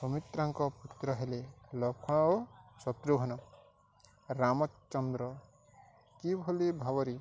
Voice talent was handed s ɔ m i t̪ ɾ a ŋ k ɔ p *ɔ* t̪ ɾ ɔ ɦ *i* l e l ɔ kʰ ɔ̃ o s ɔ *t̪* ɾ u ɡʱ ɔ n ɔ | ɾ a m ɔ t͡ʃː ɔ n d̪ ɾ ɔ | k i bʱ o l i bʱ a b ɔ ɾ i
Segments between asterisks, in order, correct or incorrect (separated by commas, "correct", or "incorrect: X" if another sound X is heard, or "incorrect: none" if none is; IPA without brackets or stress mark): incorrect: u, incorrect: e, correct